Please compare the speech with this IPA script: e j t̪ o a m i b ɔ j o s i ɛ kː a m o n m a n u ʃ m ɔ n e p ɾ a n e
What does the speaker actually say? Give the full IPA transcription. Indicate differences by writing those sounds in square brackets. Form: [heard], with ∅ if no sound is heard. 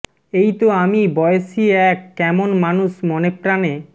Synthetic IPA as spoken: e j t̪ o a m i b ɔ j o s i ɛ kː [ɛ] m o n m a n u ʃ m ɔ n e p ɾ a n e